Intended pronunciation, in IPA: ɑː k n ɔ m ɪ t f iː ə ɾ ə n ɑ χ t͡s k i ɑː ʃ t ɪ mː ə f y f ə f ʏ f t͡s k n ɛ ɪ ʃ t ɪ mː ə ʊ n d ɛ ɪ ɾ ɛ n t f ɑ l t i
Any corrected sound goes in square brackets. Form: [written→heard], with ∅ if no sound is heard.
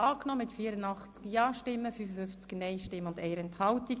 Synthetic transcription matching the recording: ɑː k n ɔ m ɪ t f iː ə ɾ ə n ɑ χ t͡s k [i→j] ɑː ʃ t ɪ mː ə f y f ə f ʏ f t͡s k n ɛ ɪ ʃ t ɪ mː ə ʊ n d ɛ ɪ ɾ ɛ n t [f→h] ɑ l t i